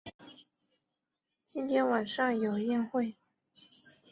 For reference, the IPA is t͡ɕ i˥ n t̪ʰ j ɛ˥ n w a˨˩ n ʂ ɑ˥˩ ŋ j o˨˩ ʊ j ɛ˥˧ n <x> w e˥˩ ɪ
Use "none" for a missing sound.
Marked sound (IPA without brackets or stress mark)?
x